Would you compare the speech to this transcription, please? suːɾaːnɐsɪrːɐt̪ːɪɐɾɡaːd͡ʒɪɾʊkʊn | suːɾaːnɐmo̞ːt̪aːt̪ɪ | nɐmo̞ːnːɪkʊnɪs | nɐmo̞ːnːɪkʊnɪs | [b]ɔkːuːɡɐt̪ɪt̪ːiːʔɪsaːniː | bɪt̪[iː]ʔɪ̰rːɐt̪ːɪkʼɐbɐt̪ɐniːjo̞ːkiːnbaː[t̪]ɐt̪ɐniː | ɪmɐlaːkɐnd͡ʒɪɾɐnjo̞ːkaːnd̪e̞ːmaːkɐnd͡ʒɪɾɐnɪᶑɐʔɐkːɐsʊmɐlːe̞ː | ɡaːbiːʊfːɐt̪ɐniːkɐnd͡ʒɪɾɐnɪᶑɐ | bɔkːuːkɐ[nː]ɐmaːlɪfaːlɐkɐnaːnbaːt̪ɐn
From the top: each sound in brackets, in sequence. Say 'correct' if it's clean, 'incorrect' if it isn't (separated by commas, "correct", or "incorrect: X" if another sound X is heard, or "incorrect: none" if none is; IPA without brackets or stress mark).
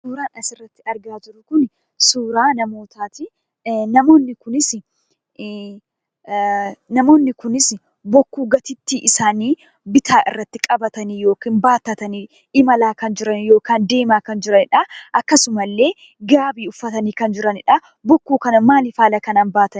correct, incorrect: aː, correct, incorrect: n